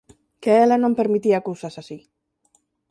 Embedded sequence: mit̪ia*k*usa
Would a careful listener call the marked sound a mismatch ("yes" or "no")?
no